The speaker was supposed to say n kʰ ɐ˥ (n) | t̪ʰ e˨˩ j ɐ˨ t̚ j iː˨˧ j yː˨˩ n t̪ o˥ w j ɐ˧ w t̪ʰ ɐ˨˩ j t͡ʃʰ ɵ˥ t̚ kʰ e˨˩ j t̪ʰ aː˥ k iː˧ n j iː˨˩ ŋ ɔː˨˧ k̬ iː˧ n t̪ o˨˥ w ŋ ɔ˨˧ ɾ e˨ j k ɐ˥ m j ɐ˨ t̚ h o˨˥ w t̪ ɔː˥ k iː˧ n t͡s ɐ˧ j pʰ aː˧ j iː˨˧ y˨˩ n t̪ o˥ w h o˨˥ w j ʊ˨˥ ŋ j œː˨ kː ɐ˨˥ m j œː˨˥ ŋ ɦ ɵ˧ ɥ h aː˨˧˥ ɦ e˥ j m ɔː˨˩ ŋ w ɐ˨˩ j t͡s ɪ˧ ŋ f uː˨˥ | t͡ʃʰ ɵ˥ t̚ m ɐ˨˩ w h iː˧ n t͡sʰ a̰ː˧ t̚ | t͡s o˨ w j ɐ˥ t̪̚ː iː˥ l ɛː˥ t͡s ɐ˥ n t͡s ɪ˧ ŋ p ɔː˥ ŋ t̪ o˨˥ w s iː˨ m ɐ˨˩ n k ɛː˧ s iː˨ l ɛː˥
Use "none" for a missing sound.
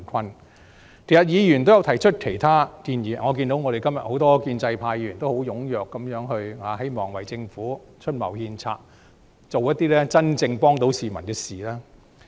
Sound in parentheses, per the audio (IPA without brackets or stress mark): n